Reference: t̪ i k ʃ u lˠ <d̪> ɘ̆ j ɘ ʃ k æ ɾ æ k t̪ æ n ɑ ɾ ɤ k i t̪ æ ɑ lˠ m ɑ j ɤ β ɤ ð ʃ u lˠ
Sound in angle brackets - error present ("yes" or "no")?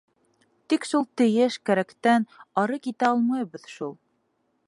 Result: yes